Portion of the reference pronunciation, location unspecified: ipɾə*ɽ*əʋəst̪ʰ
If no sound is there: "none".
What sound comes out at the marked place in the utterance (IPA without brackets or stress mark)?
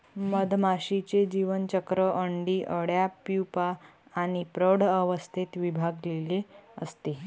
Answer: ɽ